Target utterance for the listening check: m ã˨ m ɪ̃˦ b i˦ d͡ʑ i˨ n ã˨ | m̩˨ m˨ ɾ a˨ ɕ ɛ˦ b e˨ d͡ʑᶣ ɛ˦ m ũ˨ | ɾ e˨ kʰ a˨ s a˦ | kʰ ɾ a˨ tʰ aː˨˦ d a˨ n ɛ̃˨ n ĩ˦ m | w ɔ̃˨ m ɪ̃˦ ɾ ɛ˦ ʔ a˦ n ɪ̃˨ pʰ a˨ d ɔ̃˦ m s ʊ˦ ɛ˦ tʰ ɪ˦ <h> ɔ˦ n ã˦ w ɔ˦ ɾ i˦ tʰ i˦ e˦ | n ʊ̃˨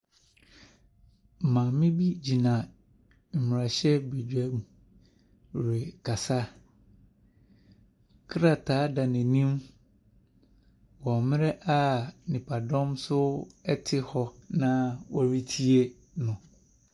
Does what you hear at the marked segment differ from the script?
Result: no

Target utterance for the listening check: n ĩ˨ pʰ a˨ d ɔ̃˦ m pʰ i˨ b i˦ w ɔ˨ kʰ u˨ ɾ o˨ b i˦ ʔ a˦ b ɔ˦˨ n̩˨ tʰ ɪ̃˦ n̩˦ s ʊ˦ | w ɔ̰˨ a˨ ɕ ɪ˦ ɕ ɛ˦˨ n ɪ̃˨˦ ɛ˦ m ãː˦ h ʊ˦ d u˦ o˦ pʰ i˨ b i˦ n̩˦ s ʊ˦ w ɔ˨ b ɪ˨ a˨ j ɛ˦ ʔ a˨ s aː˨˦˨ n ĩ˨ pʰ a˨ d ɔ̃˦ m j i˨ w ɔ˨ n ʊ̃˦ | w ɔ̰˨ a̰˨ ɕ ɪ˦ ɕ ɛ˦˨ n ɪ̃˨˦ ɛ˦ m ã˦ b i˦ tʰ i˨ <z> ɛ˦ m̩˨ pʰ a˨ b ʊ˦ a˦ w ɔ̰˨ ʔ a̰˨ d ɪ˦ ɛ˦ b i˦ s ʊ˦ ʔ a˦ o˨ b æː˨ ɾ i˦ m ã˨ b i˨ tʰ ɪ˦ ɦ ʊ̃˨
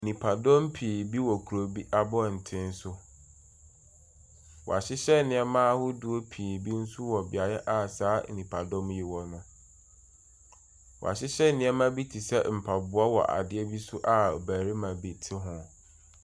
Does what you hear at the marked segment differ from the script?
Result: yes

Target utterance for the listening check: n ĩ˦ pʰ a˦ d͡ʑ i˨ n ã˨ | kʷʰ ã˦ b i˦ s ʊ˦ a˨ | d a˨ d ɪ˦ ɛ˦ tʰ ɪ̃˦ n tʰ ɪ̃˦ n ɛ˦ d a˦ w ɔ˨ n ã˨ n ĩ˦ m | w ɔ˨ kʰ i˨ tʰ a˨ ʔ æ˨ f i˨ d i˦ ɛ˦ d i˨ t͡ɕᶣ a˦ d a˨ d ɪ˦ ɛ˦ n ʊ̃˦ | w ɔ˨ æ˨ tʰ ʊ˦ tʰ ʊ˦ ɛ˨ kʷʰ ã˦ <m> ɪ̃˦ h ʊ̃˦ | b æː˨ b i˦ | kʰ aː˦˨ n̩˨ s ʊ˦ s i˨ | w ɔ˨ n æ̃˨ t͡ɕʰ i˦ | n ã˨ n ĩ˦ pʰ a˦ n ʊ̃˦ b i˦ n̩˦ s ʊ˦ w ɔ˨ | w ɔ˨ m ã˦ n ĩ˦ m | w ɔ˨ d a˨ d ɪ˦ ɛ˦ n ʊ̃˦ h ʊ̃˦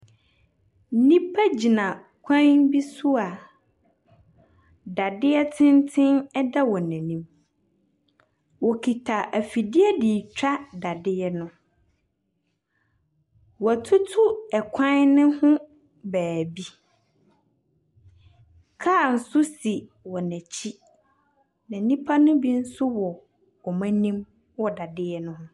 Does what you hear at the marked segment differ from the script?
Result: yes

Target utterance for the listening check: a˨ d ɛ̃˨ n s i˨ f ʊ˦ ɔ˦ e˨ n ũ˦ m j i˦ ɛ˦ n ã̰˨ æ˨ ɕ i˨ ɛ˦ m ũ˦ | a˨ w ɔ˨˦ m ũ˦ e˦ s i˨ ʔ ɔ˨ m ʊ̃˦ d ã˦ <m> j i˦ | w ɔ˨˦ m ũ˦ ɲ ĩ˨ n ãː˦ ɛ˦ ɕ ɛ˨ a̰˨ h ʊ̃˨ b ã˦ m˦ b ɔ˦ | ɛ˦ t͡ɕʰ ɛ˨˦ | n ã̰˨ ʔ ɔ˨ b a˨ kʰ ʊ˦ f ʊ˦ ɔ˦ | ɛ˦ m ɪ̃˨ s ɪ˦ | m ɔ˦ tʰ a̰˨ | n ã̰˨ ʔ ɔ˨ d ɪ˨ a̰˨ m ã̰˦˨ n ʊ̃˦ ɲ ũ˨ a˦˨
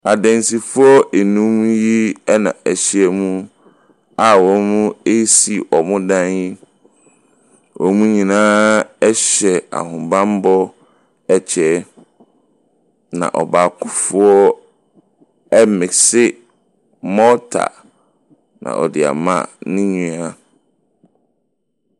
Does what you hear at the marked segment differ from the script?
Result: yes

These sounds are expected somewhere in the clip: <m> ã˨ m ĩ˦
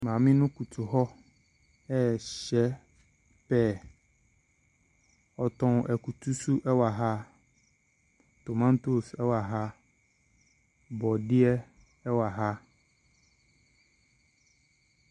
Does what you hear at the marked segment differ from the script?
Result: no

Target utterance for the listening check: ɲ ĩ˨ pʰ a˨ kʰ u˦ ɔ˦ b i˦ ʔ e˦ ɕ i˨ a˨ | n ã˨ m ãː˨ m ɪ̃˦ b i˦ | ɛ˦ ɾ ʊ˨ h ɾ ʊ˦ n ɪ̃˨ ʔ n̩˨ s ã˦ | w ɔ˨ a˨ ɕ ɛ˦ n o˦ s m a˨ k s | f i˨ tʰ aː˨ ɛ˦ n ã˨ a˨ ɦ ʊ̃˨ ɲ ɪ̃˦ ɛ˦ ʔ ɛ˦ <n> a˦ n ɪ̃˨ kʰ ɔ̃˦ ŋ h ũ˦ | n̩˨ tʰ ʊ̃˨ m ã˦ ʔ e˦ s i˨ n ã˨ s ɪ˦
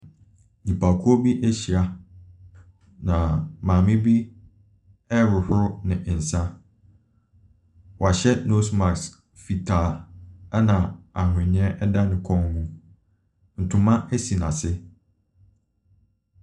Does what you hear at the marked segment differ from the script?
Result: yes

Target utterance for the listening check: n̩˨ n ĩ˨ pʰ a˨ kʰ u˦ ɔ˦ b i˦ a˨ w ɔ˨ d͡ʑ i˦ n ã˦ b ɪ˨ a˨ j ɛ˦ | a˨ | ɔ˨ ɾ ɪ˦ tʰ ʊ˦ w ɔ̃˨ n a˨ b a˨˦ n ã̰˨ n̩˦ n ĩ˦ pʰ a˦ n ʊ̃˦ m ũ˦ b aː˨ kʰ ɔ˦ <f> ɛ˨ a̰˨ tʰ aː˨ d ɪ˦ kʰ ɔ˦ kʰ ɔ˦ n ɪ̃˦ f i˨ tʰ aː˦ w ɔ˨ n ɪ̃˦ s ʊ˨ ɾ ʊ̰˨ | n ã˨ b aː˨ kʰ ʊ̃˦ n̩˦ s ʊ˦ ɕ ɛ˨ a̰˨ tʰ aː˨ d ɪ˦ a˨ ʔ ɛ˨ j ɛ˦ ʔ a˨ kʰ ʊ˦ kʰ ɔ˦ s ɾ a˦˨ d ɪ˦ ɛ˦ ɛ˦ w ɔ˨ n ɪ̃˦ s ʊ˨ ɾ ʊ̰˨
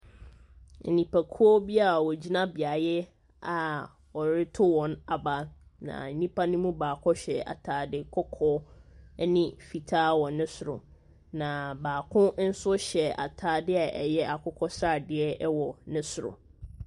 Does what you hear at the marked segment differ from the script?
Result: yes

